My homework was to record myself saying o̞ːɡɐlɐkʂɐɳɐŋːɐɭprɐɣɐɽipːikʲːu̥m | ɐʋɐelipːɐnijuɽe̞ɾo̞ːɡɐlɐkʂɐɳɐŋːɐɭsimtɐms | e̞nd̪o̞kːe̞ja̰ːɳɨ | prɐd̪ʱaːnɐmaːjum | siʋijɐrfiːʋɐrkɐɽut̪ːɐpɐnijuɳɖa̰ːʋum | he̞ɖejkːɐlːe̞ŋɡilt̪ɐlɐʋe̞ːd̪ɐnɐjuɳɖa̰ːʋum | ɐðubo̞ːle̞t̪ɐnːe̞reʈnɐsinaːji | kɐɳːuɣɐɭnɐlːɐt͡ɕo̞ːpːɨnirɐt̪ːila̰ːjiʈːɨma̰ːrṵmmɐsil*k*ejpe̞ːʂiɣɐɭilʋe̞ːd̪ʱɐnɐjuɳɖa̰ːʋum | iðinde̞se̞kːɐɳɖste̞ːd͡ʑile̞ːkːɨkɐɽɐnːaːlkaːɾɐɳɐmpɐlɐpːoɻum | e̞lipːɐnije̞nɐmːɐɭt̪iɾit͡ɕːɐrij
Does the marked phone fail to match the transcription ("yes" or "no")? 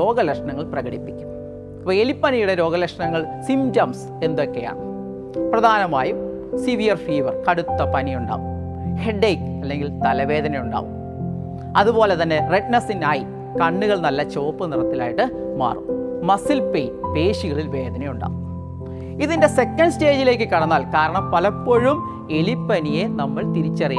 yes